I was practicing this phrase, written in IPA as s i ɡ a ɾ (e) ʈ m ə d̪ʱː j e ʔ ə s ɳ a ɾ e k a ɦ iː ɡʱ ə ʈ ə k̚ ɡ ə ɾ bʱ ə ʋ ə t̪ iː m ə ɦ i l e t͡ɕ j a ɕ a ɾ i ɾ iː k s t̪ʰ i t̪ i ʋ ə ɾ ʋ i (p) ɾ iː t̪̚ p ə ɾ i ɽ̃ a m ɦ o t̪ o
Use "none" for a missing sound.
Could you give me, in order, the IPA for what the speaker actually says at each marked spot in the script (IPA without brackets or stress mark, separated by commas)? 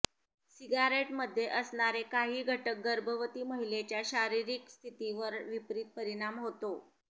e, p